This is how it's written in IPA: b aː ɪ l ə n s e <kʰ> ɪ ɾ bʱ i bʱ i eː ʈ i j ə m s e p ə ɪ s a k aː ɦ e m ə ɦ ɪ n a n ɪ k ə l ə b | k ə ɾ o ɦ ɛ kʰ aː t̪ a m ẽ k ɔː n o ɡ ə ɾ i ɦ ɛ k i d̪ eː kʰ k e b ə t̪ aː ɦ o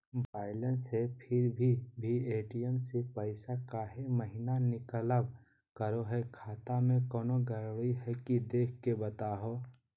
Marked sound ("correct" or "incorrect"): incorrect